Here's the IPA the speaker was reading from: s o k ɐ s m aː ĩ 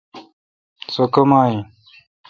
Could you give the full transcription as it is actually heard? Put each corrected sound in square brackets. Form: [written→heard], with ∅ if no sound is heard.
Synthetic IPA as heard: s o k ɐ [s→∅] m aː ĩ

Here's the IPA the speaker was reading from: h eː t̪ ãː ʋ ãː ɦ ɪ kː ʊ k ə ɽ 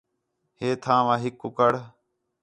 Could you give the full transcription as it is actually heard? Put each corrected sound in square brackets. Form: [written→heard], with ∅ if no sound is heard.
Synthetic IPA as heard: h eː [t̪→t̪ʰ] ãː ʋ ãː ɦ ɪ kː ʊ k ə ɽ

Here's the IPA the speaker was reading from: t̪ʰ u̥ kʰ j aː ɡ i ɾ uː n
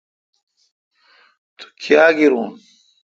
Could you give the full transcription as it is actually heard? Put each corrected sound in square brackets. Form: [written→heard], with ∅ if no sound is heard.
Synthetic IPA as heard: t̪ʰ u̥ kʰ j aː ɡ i ɾ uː n

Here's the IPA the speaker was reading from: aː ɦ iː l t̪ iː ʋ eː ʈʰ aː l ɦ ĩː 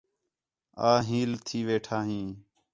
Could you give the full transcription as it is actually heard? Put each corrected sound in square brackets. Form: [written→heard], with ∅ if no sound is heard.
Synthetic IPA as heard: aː ɦ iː l [t̪→t̪ʰ] iː ʋ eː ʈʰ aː [l→∅] ɦ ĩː

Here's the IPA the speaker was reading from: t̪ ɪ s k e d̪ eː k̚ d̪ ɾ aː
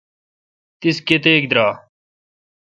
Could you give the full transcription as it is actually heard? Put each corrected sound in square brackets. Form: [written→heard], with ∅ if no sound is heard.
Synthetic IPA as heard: t̪ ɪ s k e [d̪→t̪] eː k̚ d̪ ɾ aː

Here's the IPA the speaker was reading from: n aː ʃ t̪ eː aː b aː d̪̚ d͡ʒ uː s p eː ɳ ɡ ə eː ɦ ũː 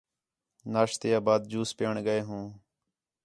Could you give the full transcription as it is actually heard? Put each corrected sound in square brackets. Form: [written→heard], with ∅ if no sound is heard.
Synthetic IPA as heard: n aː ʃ t̪ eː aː b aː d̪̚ d͡ʒ uː s p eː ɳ ɡ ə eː ɦ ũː

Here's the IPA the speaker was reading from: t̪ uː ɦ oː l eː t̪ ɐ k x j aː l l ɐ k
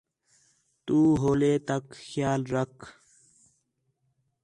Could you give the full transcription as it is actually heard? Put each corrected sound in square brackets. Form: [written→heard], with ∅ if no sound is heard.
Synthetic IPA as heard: t̪ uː ɦ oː l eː t̪ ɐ k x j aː l [l→ɾ] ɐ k

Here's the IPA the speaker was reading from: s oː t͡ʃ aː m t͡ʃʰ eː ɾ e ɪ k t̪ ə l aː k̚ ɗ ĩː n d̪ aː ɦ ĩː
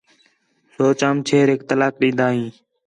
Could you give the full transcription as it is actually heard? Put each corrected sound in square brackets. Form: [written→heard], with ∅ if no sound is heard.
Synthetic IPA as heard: s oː t͡ʃ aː m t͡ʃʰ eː ɾ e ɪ k t̪ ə l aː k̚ ɗ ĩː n d̪ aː ɦ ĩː

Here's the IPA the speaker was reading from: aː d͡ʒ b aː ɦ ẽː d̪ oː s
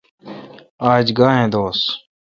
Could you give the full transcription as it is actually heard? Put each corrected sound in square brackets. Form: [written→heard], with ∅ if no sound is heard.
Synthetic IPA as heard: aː d͡ʒ [b→ɡ] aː ɦ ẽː d̪ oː s

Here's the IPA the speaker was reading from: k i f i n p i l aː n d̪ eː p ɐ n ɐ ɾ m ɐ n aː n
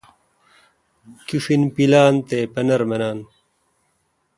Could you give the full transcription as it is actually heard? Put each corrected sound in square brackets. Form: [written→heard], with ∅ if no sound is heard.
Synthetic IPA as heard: k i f i n p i l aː n [d̪→t̪] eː p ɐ n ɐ ɾ m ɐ n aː n

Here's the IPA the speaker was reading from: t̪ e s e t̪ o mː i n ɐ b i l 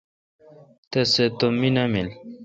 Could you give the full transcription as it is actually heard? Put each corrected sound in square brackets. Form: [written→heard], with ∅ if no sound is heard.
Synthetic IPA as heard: t̪ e s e t̪ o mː i n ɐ [b→m] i l

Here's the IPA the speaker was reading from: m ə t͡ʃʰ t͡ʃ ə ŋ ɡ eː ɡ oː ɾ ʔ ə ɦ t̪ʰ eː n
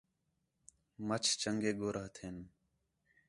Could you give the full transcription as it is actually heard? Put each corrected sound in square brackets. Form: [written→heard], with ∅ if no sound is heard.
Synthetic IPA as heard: m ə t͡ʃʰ t͡ʃ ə ŋ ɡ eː ɡ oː ɾ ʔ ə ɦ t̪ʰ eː n

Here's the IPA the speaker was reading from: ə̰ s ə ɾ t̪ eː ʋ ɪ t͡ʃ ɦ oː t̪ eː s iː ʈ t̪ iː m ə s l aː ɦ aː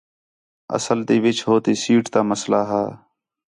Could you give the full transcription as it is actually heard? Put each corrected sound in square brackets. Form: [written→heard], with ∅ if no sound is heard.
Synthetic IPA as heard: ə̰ s ə [ɾ→l] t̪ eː ʋ ɪ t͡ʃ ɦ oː t̪ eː s iː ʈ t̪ [iː→aː] m ə s l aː ɦ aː

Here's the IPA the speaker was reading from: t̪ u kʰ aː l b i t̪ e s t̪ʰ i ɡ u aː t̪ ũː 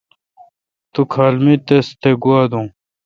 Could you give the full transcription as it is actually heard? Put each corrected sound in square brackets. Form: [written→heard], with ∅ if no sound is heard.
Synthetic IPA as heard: t̪ u kʰ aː l [b→m] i t̪ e s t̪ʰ [i→e] ɡ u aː [t̪→d̪] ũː

